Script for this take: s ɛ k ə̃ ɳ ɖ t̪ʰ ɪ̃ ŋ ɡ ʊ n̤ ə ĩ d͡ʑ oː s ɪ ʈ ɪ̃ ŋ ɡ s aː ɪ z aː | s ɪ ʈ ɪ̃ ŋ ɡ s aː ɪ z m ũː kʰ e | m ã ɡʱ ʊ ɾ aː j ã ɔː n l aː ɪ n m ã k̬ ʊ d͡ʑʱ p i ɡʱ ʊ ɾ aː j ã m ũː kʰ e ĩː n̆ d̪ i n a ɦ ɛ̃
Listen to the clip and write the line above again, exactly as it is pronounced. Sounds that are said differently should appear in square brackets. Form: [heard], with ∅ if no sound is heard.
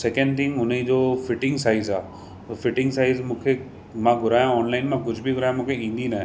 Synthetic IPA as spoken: s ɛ k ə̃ ɳ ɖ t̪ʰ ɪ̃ ŋ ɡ ʊ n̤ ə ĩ d͡ʑ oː [f] ɪ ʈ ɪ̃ ŋ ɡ s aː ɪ z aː | [f] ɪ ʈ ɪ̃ ŋ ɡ s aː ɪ z m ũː kʰ e | m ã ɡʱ ʊ ɾ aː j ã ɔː n l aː ɪ n m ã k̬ ʊ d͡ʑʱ [b] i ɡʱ ʊ ɾ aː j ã m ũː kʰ e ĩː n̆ d̪ i n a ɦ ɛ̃